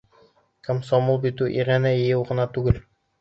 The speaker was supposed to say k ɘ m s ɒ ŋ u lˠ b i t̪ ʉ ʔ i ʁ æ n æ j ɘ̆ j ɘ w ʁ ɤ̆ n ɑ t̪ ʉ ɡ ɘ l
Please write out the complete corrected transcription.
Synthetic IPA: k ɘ m s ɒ m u lˠ b i t̪ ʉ ʔ i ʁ æ n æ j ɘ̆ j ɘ w ʁ ɤ̆ n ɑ t̪ ʉ ɡ ɘ l